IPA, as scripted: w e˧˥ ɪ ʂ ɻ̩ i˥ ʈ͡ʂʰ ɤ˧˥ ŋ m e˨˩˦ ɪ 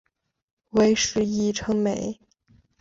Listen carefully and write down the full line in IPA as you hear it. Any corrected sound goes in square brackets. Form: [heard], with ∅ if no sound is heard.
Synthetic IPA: w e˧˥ ɪ ʂ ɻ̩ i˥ ʈ͡ʂʰ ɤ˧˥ ŋ m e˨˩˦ ɪ